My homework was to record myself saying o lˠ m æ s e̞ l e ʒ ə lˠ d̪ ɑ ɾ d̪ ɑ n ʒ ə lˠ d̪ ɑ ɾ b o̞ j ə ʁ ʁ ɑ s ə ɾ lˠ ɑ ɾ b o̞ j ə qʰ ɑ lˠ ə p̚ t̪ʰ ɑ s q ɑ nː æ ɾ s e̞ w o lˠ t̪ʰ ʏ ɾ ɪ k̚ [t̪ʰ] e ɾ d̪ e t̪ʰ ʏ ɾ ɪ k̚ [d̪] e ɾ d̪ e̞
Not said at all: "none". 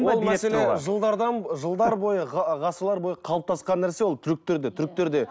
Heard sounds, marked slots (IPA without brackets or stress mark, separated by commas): t̪, t̪